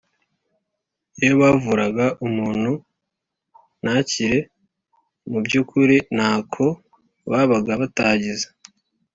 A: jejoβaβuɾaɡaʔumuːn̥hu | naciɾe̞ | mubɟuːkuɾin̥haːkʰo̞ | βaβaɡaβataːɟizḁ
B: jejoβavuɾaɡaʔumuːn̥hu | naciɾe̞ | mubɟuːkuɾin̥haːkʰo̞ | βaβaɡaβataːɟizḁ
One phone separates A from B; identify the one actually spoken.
B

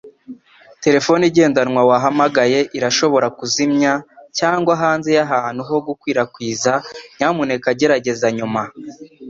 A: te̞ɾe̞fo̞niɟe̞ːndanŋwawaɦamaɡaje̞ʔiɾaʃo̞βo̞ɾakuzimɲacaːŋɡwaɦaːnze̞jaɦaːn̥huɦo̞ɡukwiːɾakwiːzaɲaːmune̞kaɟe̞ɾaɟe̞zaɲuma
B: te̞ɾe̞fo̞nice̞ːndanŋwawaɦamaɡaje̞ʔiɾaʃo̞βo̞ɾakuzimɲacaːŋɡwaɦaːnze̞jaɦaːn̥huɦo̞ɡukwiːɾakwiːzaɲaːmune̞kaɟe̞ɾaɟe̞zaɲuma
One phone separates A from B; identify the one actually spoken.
A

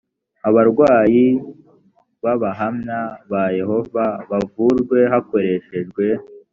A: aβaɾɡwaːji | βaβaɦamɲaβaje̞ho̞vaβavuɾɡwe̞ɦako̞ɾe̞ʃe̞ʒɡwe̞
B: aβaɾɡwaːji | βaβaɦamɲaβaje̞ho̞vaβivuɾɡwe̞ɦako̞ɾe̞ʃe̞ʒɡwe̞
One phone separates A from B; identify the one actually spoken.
A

